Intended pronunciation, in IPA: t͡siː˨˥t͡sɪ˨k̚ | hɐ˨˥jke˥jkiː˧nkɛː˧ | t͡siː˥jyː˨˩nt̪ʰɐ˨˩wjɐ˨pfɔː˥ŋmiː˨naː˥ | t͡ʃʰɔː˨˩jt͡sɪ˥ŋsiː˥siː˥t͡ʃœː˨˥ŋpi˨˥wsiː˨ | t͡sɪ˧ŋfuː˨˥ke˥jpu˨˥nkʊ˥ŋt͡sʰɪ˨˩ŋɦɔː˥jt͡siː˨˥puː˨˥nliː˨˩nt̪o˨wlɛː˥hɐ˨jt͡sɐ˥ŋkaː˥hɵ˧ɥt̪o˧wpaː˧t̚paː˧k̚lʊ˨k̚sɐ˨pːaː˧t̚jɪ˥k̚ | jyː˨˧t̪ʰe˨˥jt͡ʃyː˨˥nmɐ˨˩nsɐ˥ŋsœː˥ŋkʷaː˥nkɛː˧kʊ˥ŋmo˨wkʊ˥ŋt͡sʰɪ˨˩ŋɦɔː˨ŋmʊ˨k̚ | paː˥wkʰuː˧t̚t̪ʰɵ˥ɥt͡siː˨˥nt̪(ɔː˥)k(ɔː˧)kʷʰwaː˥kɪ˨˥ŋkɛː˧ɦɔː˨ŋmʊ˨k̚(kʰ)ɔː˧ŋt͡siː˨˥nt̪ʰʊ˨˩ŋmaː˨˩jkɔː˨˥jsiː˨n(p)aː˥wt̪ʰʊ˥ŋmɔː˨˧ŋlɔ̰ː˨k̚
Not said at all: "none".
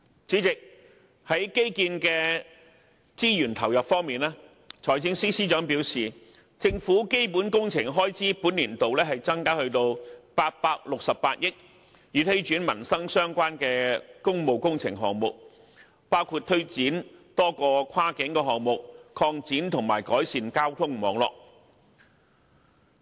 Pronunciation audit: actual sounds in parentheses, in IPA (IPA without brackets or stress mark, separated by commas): ɔː˥, ɔː˧, kʰ, k